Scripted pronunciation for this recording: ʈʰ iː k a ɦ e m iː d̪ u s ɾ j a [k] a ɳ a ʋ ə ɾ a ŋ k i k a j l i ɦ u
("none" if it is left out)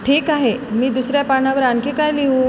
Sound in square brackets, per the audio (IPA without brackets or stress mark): p